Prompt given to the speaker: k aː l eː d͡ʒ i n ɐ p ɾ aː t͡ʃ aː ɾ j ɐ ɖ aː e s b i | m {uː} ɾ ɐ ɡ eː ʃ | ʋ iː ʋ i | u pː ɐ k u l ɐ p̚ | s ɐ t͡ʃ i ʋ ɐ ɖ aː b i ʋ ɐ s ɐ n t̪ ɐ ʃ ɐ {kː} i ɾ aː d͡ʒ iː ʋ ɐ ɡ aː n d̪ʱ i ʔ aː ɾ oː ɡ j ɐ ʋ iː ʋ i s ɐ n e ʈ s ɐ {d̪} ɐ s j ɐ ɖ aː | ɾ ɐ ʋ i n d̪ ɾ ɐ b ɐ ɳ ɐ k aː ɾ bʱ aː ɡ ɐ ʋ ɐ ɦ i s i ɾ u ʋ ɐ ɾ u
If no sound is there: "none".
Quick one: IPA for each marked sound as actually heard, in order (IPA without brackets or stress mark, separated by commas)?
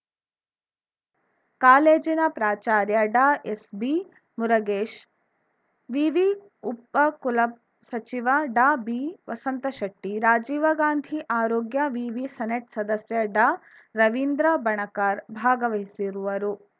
u, ʈː, d̪